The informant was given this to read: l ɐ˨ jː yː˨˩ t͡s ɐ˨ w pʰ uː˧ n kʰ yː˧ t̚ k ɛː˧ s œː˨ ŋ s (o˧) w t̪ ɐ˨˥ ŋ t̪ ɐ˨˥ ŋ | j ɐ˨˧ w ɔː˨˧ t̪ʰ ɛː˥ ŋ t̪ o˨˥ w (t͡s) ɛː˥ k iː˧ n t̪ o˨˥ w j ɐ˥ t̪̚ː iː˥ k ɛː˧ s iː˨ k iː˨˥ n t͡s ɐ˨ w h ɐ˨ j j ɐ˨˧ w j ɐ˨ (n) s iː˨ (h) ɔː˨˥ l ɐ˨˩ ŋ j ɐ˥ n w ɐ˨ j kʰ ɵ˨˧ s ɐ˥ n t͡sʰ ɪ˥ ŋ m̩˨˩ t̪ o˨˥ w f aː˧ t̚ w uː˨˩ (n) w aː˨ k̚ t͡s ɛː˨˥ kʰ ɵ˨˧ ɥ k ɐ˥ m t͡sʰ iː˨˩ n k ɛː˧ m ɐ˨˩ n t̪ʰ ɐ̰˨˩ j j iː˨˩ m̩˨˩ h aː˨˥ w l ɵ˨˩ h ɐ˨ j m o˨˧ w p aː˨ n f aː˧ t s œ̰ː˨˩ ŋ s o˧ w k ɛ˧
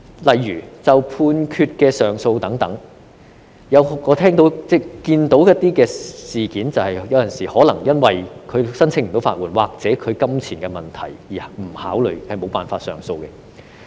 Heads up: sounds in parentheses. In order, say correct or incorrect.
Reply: correct, correct, correct, correct, correct

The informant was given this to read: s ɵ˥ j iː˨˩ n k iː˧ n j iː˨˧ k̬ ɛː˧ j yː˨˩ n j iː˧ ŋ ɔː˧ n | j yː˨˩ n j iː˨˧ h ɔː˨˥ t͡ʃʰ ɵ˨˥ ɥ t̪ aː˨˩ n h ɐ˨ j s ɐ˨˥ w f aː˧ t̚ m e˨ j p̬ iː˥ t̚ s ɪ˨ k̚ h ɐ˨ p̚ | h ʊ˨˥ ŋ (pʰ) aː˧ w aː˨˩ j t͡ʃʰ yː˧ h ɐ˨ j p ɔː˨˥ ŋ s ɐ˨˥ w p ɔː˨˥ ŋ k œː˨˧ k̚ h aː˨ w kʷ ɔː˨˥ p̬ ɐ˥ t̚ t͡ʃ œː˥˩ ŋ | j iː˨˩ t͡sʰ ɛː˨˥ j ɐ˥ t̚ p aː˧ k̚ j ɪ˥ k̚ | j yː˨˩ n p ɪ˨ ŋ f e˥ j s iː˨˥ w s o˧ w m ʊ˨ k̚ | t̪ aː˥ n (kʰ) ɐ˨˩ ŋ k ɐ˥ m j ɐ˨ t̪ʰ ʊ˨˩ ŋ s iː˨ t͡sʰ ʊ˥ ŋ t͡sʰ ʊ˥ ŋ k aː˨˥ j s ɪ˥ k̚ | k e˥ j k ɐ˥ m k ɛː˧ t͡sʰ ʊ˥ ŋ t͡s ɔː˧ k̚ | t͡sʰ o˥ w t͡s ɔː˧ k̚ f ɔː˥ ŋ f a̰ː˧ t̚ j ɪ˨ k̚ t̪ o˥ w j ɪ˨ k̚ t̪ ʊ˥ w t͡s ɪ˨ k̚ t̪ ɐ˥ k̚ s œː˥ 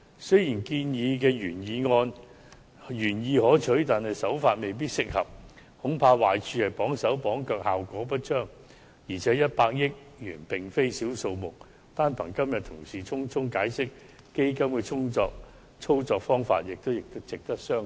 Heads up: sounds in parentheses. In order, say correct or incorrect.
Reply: correct, incorrect: pʰ

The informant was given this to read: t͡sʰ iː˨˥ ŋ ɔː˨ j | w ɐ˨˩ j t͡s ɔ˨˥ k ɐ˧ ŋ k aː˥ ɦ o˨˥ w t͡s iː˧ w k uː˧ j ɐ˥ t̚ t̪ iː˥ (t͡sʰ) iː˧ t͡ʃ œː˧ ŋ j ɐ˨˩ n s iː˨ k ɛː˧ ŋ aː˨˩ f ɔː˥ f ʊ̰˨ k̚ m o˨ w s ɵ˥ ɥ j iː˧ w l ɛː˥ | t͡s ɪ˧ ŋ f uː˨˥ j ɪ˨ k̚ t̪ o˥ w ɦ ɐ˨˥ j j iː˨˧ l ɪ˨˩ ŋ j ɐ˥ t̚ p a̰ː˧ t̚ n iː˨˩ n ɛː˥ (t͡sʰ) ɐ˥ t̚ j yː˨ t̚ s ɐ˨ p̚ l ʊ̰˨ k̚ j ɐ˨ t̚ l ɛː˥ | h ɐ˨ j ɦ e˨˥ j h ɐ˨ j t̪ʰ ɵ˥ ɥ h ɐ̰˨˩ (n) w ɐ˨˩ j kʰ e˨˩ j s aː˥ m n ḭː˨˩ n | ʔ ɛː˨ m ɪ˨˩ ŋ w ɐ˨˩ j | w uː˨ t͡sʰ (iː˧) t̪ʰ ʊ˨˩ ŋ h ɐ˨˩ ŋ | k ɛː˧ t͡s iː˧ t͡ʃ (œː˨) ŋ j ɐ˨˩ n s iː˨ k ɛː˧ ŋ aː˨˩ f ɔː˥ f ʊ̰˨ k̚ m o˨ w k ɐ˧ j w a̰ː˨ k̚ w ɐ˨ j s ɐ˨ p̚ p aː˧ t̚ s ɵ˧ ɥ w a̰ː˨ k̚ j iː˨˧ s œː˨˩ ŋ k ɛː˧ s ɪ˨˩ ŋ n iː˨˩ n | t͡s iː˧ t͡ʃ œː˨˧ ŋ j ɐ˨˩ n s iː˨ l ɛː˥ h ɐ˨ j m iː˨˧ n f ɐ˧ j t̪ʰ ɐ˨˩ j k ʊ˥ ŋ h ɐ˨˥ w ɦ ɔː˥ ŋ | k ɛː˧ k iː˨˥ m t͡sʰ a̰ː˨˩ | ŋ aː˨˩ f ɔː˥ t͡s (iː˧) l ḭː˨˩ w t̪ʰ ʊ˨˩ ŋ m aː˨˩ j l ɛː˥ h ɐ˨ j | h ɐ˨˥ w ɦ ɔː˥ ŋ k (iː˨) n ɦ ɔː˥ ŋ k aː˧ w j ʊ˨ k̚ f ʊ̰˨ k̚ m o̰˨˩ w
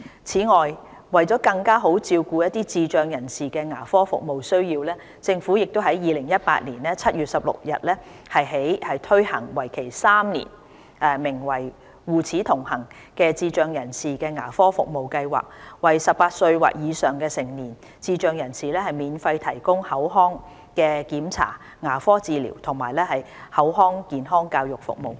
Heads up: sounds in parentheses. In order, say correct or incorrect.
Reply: incorrect: t͡s, correct, incorrect: ŋ, incorrect: iː˨˥, correct, correct, correct

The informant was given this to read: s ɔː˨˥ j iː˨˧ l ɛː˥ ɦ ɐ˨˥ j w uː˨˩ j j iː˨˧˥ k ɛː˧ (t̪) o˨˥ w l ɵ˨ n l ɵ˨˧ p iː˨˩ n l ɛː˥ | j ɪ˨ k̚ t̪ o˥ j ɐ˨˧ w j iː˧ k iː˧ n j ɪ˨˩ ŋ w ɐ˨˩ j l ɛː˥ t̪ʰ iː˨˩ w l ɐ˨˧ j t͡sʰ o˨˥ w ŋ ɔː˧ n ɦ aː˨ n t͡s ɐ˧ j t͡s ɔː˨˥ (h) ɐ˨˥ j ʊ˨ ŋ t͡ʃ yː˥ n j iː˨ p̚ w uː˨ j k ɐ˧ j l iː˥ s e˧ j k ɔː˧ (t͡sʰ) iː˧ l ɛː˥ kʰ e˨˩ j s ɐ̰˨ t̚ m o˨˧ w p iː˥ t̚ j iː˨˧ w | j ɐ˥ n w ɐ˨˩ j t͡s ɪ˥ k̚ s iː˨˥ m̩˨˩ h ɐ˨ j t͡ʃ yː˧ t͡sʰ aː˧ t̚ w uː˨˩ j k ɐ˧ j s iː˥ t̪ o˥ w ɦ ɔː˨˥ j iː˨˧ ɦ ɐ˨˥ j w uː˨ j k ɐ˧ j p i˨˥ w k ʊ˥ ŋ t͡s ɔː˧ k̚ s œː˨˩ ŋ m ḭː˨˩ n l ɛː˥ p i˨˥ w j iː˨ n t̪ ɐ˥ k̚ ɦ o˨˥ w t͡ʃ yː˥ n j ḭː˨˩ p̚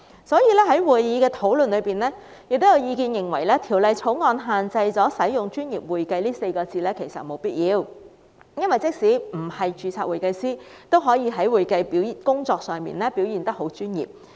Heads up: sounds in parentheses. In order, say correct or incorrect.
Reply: incorrect: t̪ʰ, incorrect: s, incorrect: t͡s

